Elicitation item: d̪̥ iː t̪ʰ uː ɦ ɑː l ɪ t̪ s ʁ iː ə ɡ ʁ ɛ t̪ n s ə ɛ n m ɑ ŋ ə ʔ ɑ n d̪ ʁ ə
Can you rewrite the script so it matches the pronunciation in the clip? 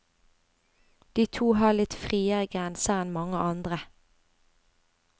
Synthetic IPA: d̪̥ iː t̪ʰ uː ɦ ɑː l ɪ t̪ f ʁ iː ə ɡ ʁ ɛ n s ə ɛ n m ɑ ŋ ə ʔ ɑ n d̪ ʁ ə